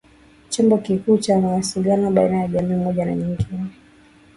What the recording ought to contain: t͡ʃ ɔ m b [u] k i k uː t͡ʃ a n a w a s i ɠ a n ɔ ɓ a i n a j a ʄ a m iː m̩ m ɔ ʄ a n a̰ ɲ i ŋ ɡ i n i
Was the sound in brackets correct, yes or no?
no